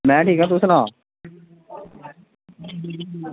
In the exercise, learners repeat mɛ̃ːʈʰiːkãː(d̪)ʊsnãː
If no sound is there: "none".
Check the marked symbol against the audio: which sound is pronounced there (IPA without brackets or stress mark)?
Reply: t̪